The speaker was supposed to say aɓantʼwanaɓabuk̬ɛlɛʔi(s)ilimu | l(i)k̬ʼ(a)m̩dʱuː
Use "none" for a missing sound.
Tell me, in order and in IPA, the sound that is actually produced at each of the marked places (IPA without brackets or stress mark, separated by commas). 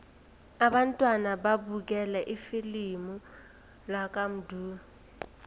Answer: f, a, a